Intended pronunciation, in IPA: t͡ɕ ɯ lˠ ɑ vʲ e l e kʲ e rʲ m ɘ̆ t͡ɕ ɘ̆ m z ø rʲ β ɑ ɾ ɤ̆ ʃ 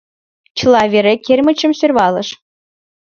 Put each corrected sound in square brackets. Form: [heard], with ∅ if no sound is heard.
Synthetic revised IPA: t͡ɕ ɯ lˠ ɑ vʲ e [ɾ] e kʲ e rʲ m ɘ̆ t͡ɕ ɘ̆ m [s] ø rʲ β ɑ [l] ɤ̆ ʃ